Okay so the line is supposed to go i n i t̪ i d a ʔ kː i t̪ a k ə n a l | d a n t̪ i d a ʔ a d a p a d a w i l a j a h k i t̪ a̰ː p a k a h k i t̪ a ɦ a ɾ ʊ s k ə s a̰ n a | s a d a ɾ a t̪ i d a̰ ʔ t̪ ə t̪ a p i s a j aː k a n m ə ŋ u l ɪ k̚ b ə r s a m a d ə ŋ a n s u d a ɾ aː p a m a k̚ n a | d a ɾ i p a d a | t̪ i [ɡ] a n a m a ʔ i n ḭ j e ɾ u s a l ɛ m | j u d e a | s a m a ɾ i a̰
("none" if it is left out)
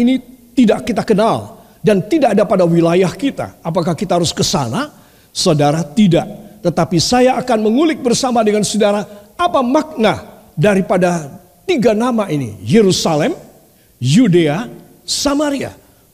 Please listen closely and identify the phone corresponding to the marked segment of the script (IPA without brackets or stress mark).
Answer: ɡ